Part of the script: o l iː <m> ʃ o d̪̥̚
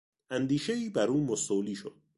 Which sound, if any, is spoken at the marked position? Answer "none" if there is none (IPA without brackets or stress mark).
none